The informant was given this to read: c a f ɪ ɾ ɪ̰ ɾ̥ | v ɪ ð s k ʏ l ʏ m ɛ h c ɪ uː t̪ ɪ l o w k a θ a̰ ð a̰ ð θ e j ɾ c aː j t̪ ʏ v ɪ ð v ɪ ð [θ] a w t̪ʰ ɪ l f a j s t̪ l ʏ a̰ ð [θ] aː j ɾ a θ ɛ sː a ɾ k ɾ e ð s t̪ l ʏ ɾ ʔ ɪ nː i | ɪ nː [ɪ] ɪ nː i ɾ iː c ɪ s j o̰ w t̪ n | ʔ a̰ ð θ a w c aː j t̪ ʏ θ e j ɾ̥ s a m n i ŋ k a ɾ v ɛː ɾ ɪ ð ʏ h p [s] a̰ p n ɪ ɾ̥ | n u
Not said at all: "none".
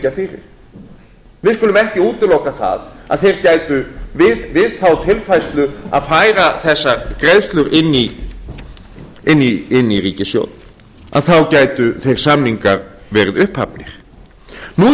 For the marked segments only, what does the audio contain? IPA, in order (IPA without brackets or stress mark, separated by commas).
θ, f, i, h